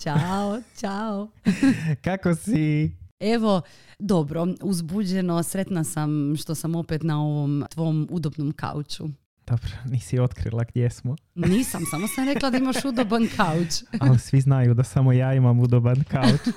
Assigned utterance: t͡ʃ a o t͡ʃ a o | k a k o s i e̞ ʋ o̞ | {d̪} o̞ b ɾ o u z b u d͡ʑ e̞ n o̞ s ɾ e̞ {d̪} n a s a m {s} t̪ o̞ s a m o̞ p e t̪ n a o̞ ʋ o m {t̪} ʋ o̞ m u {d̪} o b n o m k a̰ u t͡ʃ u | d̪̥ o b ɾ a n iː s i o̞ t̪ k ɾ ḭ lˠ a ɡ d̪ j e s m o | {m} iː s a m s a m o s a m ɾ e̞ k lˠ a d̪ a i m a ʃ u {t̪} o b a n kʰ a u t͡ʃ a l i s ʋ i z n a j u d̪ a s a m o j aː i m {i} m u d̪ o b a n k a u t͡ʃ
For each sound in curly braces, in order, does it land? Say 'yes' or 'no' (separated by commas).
yes, no, no, yes, yes, no, no, no